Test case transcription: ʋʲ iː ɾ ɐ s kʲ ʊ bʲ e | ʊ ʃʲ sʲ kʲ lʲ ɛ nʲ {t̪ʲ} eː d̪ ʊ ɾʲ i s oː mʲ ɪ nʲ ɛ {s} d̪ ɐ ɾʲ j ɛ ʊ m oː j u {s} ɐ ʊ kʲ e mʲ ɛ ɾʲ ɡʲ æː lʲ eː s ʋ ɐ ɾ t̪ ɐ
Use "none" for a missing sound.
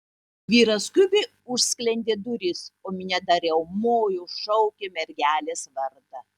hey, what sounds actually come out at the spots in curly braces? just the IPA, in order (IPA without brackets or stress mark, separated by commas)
d̪ʲ, none, ʃ